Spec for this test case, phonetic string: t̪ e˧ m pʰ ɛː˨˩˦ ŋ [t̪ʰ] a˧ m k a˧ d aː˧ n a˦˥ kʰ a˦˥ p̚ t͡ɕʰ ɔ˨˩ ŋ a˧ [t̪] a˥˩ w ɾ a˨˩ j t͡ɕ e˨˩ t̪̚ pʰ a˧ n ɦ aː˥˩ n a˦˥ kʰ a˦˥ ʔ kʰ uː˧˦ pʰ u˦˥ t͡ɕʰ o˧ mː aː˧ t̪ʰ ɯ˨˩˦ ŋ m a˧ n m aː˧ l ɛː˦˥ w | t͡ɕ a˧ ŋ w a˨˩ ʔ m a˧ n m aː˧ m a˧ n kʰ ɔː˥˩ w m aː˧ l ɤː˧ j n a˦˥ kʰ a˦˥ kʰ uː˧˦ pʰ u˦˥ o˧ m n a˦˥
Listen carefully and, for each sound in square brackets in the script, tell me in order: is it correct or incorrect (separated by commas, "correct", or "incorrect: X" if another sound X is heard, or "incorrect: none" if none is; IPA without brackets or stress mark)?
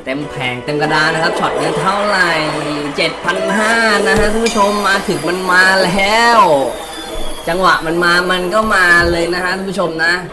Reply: incorrect: t̪, incorrect: t̪ʰ